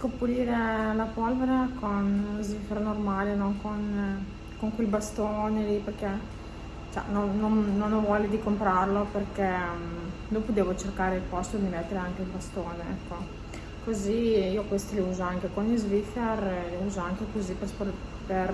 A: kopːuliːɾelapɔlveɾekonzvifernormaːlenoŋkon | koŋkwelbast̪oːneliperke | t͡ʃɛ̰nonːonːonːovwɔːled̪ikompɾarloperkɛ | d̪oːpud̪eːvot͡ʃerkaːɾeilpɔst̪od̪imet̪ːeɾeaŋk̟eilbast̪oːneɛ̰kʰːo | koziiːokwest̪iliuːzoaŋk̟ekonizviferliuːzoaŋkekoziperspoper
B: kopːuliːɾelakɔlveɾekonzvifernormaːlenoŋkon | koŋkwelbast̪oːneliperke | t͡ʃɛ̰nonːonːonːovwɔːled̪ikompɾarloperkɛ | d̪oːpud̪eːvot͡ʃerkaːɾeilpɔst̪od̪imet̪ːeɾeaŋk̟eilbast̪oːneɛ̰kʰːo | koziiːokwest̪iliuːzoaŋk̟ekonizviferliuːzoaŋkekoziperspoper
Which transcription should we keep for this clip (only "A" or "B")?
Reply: A